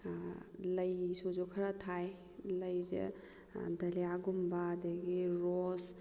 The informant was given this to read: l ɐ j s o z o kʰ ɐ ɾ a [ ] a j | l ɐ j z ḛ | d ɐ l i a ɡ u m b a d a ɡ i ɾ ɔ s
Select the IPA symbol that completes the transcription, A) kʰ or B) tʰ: B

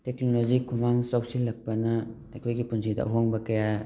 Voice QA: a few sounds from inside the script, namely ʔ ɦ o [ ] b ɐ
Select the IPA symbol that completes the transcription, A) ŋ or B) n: A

